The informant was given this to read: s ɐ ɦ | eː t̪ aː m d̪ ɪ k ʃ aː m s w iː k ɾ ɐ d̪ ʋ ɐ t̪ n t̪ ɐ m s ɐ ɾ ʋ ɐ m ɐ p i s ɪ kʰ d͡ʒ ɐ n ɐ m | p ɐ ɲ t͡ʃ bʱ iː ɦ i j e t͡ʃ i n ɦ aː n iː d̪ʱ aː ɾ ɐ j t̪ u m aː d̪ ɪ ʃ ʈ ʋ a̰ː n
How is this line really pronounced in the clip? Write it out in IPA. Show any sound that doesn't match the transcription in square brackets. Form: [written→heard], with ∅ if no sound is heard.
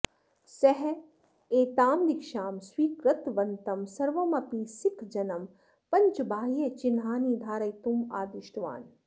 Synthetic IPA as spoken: s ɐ ɦ | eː t̪ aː m d̪ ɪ k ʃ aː m s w iː k ɾ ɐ [d̪→t̪] ʋ ɐ [t̪→∅] n t̪ ɐ m s ɐ ɾ ʋ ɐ m ɐ p i s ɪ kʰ d͡ʒ ɐ n ɐ m | p ɐ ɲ t͡ʃ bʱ [iː→aː] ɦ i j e t͡ʃ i n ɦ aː n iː d̪ʱ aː ɾ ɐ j t̪ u m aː d̪ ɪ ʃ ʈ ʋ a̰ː n

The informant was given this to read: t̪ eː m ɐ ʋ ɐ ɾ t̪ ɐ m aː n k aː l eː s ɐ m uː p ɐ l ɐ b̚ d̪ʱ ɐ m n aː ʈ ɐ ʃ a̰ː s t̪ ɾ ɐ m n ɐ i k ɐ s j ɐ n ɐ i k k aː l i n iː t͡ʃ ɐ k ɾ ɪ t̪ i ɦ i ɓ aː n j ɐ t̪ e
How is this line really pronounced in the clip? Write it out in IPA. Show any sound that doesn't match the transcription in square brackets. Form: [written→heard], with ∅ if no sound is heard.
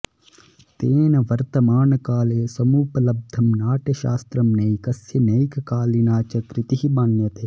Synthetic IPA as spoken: t̪ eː [m→n] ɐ ʋ ɐ ɾ t̪ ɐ m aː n k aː l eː s ɐ m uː p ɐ l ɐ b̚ d̪ʱ ɐ m n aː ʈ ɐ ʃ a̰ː s t̪ ɾ ɐ m n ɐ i k ɐ s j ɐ n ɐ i k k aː l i n [iː→aː] t͡ʃ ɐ k ɾ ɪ t̪ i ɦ i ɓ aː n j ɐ t̪ e

